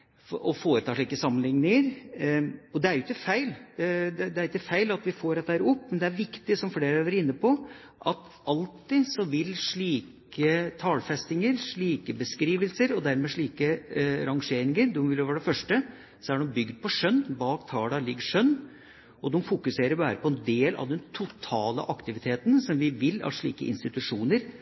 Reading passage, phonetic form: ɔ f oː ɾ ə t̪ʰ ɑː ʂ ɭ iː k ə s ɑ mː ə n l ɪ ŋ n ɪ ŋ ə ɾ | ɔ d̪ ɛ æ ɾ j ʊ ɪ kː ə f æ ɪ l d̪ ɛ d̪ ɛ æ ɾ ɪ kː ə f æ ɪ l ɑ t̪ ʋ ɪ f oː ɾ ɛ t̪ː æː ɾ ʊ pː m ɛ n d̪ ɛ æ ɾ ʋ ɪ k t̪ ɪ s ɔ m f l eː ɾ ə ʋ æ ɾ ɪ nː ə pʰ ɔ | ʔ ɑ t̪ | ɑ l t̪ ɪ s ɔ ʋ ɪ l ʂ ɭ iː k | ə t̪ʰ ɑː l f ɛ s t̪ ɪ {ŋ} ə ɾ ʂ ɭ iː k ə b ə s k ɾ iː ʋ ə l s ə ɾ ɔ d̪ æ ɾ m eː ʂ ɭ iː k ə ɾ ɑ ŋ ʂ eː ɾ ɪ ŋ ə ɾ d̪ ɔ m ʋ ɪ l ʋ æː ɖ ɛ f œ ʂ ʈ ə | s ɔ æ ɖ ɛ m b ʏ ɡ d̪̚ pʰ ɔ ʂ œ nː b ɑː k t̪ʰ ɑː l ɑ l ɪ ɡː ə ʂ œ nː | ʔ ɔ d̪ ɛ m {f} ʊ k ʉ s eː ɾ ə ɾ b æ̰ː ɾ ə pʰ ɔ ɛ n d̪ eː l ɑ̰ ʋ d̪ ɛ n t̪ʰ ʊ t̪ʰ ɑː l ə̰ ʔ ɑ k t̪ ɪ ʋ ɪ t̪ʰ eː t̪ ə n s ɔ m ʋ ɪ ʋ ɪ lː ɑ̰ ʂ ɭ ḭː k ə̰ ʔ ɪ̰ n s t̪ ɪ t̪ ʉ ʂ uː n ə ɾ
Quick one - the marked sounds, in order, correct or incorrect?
correct, correct

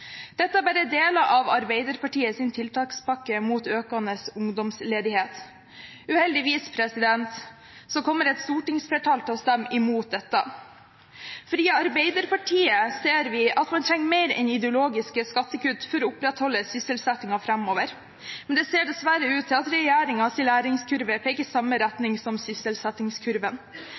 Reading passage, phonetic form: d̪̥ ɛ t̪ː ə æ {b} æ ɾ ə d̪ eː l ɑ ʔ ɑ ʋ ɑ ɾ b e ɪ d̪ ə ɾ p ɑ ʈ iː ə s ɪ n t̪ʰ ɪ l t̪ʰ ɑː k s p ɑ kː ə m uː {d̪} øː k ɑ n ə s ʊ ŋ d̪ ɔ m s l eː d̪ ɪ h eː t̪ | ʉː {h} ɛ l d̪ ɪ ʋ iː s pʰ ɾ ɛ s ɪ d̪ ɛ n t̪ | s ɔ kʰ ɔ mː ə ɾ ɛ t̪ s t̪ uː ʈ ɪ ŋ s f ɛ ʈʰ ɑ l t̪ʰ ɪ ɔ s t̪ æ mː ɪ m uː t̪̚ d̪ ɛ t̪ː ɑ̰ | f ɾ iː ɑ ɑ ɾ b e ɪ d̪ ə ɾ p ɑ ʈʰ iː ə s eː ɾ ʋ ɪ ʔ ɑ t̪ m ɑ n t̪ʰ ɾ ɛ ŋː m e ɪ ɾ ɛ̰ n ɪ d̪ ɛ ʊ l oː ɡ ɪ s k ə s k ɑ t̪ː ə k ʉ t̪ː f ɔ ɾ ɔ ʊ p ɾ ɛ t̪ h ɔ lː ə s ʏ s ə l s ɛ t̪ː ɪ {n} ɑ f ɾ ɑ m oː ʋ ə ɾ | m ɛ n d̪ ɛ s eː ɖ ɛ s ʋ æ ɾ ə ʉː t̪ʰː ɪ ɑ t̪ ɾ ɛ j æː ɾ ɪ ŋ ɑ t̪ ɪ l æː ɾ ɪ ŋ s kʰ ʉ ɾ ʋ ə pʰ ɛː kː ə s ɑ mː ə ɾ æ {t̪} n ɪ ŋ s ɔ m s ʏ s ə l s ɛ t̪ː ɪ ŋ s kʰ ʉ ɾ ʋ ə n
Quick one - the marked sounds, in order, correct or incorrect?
correct, incorrect, correct, incorrect, correct

